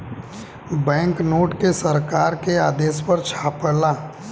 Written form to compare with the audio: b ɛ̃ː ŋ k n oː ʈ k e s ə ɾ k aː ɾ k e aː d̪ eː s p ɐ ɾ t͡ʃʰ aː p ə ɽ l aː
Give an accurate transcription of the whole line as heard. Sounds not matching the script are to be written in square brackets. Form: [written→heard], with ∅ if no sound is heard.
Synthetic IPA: b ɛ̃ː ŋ k n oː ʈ k e s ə ɾ k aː ɾ k e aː d̪ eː s p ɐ ɾ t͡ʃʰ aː p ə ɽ l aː